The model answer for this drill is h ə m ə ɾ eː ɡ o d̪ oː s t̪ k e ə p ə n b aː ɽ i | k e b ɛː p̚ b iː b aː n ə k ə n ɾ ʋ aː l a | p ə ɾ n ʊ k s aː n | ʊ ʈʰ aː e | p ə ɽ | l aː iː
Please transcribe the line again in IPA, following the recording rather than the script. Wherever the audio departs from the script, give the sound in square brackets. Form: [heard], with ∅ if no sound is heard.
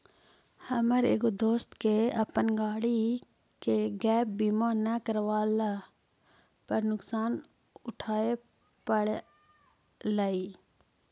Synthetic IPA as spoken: h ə m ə ɾ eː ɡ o d̪ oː s t̪ k e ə p ə n [ɡ] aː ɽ i | k e [ɡ] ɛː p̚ b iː [m] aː n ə k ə [∅] ɾ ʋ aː l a | p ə ɾ n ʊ k s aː n | ʊ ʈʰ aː e | p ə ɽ | l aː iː